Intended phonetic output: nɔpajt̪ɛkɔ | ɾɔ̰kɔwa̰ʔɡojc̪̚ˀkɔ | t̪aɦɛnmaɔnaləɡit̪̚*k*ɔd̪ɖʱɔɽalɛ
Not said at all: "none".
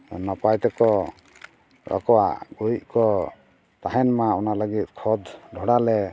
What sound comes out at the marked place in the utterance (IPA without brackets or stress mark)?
kʰ